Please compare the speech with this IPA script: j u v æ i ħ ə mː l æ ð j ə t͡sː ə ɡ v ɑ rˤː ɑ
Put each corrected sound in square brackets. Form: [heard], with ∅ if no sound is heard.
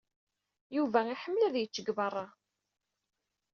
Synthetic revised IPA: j u v æ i ħ ə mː l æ ð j ə t͡sː ə ɡ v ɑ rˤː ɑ